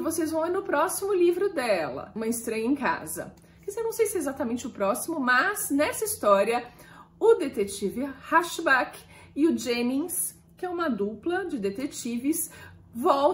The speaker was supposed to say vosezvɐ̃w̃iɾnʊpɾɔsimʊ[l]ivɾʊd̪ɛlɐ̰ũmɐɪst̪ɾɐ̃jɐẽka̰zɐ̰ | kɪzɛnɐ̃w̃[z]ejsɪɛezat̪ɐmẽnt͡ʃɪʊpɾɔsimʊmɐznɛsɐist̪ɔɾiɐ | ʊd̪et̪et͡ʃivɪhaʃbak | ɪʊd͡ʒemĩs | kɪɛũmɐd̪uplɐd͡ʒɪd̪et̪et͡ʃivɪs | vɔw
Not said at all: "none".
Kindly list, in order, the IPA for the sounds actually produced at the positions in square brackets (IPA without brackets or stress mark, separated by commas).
l, s